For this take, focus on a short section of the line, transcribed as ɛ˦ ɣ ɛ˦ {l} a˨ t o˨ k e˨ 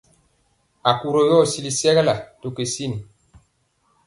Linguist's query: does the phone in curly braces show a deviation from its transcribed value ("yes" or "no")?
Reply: no